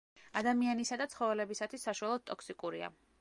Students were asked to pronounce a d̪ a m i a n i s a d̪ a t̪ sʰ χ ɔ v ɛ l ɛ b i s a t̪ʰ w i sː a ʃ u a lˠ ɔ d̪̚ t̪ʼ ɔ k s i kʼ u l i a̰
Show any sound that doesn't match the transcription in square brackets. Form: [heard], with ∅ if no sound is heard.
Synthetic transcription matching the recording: a d̪ a m i a n i s a d̪ a t̪ sʰ χ ɔ v ɛ l ɛ b i s a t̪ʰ w i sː a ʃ u a lˠ ɔ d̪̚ t̪ʼ ɔ k s i kʼ u [ɾ] i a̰

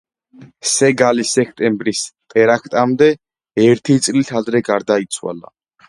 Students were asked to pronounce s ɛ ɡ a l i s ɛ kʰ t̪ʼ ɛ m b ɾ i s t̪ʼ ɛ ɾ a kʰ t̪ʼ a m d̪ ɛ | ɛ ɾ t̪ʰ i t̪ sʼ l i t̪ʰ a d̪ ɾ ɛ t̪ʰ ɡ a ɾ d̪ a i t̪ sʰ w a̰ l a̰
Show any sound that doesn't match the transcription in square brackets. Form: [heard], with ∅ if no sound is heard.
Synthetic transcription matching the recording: s ɛ ɡ a l i s ɛ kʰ t̪ʼ ɛ m b ɾ i s t̪ʼ ɛ ɾ a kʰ t̪ʼ a m d̪ ɛ | ɛ ɾ t̪ʰ i t̪ sʼ l i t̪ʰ a d̪ ɾ ɛ [∅] ɡ a ɾ d̪ a i t̪ sʰ w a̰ l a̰

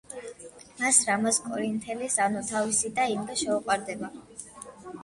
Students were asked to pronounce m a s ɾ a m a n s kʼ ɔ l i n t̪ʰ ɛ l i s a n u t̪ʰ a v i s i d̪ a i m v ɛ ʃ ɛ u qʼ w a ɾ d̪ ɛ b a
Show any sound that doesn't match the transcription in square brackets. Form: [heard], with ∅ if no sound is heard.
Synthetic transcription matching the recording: m a s ɾ a m a [∅] s kʼ ɔ [ɾ] i n t̪ʰ ɛ l i s a n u t̪ʰ a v i s i d̪ a i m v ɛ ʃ ɛ u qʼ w a ɾ d̪ ɛ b a

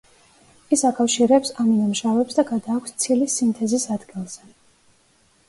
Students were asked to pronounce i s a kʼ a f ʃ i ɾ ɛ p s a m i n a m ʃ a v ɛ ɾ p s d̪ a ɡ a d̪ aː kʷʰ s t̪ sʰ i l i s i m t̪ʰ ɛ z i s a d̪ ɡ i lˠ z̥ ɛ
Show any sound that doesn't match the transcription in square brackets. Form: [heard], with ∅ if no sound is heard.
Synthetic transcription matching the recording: i s a kʼ a f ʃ i ɾ ɛ p s a m i n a m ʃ a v ɛ [∅] p s d̪ a ɡ a d̪ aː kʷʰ s t̪ sʰ i l i s i m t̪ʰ ɛ z i s a d̪ ɡ i lˠ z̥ ɛ

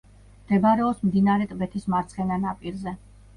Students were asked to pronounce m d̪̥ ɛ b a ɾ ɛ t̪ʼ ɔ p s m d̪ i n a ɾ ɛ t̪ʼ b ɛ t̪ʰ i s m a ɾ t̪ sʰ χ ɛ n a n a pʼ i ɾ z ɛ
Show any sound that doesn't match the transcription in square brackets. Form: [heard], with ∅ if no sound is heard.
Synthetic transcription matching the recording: m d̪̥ ɛ b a ɾ ɛ [∅] ɔ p s m d̪ i n a ɾ ɛ t̪ʼ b ɛ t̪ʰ i s m a ɾ t̪ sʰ χ ɛ n a n a pʼ i ɾ z ɛ

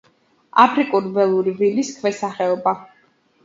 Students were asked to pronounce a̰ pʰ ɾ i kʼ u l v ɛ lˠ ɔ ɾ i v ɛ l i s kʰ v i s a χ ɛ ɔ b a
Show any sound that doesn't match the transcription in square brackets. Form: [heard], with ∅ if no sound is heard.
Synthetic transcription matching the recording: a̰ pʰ ɾ i kʼ u [ɾ] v ɛ lˠ [u] ɾ i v [i] l i s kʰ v [ɛ] s a χ ɛ ɔ b a

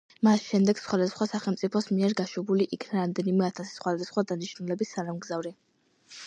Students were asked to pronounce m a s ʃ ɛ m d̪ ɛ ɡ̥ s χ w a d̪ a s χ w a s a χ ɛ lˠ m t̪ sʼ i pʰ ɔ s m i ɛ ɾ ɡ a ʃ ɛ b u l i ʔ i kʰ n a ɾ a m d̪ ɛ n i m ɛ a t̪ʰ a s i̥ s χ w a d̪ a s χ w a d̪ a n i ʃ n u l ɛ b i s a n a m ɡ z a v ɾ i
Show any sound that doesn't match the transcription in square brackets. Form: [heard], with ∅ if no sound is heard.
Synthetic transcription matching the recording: m a s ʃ ɛ m d̪ ɛ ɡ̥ s χ w a d̪ a s χ w a s a χ ɛ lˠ m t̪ sʼ i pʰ ɔ s m i ɛ ɾ ɡ a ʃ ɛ b u l i ʔ i kʰ n a ɾ a m d̪ ɛ n i m ɛ a t̪ʰ a s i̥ s χ w a d̪ a s χ w a d̪ a n i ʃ n u l ɛ b i s a n a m ɡ z a v ɾ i

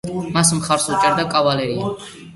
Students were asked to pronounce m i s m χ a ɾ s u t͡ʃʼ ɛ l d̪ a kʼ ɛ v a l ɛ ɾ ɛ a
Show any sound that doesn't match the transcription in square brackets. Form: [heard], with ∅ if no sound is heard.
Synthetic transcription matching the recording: m [a] s m χ a ɾ s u t͡ʃʼ ɛ [ɾ] d̪ a kʼ [a] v a l ɛ ɾ [i] a

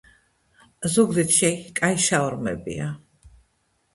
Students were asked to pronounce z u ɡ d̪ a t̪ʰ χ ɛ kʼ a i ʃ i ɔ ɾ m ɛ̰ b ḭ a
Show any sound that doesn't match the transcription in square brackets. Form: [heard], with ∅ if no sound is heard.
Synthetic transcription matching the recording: z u ɡ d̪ [i] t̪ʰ [ʃ] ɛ kʼ a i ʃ [a] ɔ ɾ m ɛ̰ b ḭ a

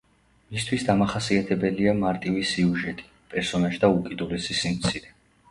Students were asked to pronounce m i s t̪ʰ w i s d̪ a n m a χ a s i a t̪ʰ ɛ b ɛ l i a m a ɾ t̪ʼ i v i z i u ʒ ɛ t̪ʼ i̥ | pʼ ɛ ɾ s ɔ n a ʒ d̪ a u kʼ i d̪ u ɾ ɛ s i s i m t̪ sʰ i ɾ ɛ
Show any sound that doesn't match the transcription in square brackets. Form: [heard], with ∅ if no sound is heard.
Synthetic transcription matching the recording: m i s t̪ʰ w i s d̪ a [∅] m a χ a s i a t̪ʰ ɛ b ɛ l i a m a ɾ t̪ʼ i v i [s] i u ʒ ɛ t̪ʼ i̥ | pʼ ɛ ɾ s ɔ n a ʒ d̪ a u kʼ i d̪ u [l] ɛ s i s i m t̪ sʰ i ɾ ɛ

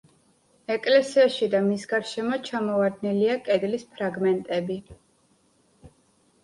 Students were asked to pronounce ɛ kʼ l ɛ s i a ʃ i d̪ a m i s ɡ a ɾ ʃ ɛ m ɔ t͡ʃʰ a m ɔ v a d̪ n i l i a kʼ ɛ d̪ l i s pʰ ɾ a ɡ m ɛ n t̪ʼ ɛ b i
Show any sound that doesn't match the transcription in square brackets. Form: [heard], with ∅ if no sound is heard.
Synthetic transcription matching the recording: ɛ kʼ l ɛ s i a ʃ i d̪ a m i s ɡ a ɾ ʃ ɛ m ɔ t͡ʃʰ a m ɔ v a d̪ n i l i a kʼ ɛ d̪ l i s pʰ ɾ a ɡ m ɛ n t̪ʼ ɛ b i

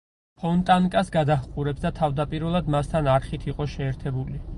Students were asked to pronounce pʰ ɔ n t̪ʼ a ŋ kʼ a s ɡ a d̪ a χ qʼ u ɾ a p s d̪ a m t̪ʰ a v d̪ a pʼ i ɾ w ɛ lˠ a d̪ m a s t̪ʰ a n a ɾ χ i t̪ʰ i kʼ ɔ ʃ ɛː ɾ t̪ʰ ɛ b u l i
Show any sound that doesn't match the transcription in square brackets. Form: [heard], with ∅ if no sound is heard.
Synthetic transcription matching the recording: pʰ ɔ n t̪ʼ a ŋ kʼ a s ɡ a d̪ a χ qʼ u ɾ [ɛ] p s d̪ a [∅] t̪ʰ a v d̪ a pʼ i ɾ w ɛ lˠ a d̪ m a s t̪ʰ a n a ɾ χ i t̪ʰ i [qʼ] ɔ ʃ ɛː ɾ t̪ʰ ɛ b u l i

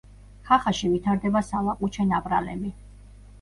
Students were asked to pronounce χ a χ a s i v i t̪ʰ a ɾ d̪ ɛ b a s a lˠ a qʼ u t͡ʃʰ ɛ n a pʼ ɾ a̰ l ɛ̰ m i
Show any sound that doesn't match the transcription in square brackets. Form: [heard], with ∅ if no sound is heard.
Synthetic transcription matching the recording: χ a χ a [ʃ] i v i t̪ʰ a ɾ d̪ ɛ b a s a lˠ a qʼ u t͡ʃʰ ɛ n a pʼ ɾ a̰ l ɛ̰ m i

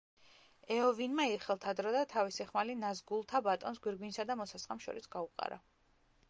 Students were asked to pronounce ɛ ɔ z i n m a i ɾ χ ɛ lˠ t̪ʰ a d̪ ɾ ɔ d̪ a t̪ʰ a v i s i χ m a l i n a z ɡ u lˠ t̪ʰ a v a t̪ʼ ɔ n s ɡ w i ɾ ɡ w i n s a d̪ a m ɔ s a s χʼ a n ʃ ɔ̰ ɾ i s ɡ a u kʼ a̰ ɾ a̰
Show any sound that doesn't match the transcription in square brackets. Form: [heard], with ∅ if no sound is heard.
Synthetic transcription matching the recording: ɛ ɔ [v] i n m a i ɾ χ ɛ lˠ t̪ʰ a d̪ ɾ ɔ d̪ a t̪ʰ a v i s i χ m a l i n a z ɡ u lˠ t̪ʰ a [b] a t̪ʼ ɔ n s ɡ w i ɾ ɡ w i n s a d̪ a m ɔ s a s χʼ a [m] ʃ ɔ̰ ɾ i s ɡ a u [qʼ] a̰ ɾ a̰

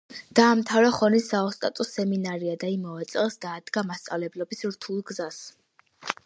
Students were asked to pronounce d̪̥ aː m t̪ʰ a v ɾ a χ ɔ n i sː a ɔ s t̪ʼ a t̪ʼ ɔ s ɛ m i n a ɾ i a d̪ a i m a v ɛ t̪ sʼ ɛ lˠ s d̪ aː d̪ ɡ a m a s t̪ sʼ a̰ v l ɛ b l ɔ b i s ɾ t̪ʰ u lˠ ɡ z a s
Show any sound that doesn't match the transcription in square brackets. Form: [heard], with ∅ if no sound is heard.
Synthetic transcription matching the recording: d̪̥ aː m t̪ʰ a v ɾ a χ ɔ n i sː a ɔ s t̪ʼ a t̪ʼ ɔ s ɛ m i n a ɾ i a d̪ a i m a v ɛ t̪ sʼ ɛ lˠ s d̪ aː d̪ ɡ a m a s t̪ sʼ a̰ v l ɛ b l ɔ b i s ɾ t̪ʰ u lˠ ɡ z a s

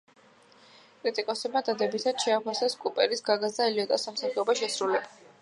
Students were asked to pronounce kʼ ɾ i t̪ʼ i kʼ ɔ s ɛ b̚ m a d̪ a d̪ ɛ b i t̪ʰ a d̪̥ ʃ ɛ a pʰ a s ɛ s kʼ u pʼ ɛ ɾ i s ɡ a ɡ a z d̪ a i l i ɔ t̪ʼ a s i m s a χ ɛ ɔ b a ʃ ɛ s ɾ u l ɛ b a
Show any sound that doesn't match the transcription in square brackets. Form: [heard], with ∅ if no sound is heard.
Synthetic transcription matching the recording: kʼ ɾ i t̪ʼ i kʼ ɔ s ɛ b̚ m a d̪ a d̪ ɛ b i t̪ʰ a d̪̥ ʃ ɛ a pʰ a s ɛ s kʼ u pʼ ɛ ɾ i s ɡ a ɡ a z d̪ a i l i ɔ t̪ʼ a s [a] m s a χ ɛ ɔ b a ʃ ɛ s ɾ u l ɛ b a

